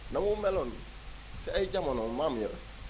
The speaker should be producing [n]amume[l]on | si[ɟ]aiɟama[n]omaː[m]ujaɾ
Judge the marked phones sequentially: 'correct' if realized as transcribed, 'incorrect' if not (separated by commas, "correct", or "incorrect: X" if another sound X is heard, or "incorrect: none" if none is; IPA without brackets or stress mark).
correct, correct, incorrect: none, correct, correct